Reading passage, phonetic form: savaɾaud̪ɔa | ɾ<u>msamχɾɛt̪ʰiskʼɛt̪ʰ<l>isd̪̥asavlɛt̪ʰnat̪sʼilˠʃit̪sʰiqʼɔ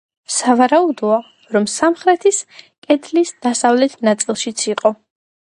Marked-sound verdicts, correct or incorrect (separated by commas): incorrect, correct